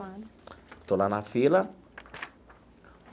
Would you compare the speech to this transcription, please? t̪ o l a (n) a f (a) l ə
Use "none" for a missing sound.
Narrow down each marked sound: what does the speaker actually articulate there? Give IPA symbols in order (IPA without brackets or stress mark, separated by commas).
n, i